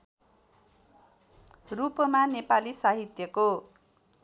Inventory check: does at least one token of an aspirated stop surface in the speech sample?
no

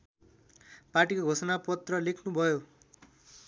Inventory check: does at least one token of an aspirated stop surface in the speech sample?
yes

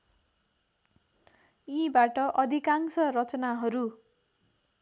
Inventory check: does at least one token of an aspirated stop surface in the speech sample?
no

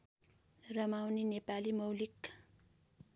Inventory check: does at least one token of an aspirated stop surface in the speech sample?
no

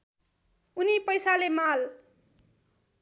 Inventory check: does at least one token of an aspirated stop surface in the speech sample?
no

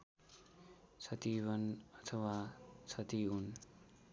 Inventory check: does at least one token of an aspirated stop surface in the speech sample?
yes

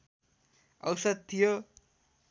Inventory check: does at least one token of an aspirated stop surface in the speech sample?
yes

